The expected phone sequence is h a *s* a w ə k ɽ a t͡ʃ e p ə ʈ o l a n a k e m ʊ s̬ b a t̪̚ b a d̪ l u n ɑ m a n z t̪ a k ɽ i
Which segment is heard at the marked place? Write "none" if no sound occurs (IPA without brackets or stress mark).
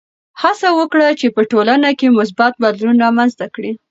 s